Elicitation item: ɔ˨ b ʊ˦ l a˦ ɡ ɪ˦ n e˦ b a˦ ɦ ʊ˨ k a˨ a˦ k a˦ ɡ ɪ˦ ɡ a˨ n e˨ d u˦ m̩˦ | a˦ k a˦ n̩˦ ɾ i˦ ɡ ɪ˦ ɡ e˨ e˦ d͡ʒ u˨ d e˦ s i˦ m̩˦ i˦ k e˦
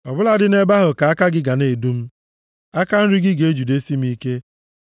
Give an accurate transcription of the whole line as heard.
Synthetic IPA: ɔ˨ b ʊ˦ l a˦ d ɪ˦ n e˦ b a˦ ɦ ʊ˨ k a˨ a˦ k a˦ ɡ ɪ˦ ɡ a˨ n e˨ d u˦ m̩˦ | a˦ k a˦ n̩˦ ɾ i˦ ɡ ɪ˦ ɡ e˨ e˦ d͡ʒ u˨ d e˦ s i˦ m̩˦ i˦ k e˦